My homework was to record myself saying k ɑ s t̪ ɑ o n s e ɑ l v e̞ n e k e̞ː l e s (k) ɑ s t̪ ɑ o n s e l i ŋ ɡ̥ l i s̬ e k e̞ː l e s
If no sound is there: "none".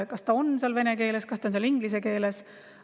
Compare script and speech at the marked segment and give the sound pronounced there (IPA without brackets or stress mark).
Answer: k